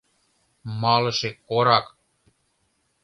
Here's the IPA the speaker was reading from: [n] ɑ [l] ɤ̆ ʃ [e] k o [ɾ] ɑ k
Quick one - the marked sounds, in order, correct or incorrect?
incorrect, correct, correct, correct

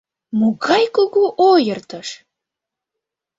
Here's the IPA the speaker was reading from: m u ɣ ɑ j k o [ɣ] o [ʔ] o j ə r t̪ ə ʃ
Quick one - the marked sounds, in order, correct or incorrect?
correct, correct

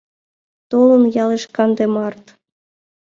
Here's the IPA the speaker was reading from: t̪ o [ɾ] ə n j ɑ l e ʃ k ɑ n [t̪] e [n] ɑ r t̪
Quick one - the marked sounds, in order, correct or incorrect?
incorrect, incorrect, incorrect

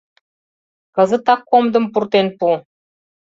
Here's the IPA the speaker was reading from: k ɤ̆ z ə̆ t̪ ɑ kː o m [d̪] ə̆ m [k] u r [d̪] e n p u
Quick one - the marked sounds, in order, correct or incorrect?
correct, incorrect, incorrect

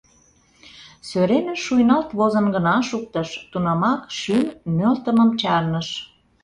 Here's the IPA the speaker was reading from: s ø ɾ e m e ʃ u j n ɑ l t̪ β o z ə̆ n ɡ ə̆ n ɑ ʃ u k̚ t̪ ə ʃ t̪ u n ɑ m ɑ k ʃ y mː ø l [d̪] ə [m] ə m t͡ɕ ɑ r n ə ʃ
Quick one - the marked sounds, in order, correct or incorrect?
incorrect, correct

